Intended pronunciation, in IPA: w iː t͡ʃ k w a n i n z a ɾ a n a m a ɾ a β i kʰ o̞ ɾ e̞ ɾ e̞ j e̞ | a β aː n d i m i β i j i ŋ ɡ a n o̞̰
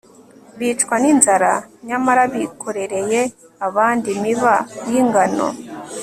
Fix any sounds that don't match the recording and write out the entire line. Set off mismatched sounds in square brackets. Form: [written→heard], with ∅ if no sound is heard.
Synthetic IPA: [w→β] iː t͡ʃ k w a n i n z a ɾ a [n→ɲ] a m a ɾ a β i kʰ o̞ ɾ e̞ ɾ e̞ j e̞ | a β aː n d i m i β [i→a] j i ŋ ɡ a n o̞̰